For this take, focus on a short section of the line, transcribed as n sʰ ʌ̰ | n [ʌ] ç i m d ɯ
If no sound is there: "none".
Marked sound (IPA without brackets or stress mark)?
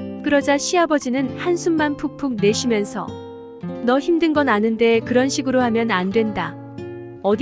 ʌ